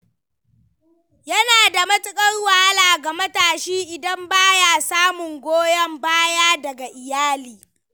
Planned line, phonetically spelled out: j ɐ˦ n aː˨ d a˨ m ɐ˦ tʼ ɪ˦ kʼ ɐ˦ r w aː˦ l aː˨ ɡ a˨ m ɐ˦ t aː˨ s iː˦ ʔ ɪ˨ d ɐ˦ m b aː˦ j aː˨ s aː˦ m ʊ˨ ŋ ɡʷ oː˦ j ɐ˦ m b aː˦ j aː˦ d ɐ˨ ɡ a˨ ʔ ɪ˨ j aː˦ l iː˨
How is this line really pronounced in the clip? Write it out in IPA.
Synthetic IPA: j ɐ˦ n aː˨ d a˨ m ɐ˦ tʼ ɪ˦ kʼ ɐ˦ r w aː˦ l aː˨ ɡ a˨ m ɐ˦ t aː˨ ʃ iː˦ ʔ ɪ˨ d ɐ˦ m b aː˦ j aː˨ s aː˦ m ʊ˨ ŋ ɡʷ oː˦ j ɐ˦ m b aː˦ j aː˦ d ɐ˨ ɡ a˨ ʔ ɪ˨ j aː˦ l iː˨